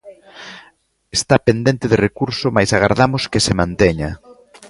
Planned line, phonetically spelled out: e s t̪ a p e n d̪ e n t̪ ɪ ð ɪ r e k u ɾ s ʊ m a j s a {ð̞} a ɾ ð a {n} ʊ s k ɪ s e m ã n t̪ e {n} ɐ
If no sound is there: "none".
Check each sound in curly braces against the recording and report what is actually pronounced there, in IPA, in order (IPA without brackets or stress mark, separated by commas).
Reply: ɣ̞, m, ɲ